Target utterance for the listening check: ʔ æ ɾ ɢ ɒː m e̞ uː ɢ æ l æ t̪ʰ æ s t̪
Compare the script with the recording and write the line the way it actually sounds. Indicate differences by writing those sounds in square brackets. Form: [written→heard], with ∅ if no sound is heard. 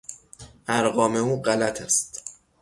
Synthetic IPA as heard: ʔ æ ɾ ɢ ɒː m e̞ uː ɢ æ l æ t̪ʰ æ s t̪